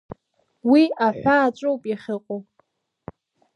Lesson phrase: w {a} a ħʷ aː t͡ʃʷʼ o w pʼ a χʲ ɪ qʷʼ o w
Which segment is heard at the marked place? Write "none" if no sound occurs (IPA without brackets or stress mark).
i